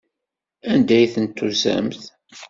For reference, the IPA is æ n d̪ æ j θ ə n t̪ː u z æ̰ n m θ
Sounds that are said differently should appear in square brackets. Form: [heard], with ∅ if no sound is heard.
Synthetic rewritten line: æ n d̪ æ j θ ə n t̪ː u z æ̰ [∅] m θ